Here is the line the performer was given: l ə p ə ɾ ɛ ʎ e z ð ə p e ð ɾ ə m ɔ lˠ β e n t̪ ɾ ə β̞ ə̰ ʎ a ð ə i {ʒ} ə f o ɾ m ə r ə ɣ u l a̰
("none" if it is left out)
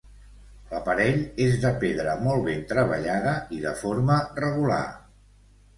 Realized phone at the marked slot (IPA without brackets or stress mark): ð